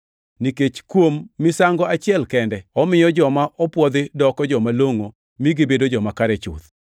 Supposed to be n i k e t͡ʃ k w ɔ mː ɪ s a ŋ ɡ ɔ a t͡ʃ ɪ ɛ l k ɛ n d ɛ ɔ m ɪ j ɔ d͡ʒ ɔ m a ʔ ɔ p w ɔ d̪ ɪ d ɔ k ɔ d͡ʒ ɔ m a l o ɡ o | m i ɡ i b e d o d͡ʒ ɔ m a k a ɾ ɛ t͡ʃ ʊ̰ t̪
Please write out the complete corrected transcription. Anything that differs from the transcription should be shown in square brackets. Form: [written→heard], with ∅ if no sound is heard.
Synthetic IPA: n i k e t͡ʃ k w [ɔ→o] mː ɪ s a ŋ ɡ ɔ a t͡ʃ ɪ ɛ l k ɛ n d ɛ ɔ m ɪ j ɔ d͡ʒ ɔ m a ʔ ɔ p w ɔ d̪ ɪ d ɔ k ɔ d͡ʒ ɔ m a l o [ɡ→ŋ] o | m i ɡ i b e d o d͡ʒ ɔ m a k a ɾ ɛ t͡ʃ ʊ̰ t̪